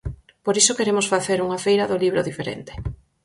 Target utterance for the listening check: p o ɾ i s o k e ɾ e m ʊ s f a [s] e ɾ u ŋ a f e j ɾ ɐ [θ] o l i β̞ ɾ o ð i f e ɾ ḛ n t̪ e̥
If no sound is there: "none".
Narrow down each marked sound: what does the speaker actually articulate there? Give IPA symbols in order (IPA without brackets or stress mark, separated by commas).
θ, ð